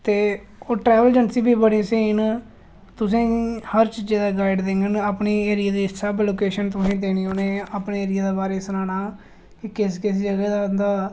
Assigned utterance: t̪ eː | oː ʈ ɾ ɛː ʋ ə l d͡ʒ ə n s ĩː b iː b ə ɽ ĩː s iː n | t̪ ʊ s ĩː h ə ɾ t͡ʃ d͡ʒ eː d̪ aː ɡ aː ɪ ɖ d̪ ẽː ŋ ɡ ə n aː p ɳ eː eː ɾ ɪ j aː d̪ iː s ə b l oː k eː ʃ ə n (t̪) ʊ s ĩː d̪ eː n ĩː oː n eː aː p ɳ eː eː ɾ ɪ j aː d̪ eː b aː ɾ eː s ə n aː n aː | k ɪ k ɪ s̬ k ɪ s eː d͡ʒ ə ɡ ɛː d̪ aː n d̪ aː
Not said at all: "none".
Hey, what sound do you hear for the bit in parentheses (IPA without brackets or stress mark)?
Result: t̪